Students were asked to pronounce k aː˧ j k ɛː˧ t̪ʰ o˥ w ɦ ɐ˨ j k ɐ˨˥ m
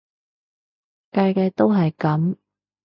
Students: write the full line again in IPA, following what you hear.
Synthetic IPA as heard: k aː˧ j k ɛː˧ t̪ o˥ w ɦ ɐ˨ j k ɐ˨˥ m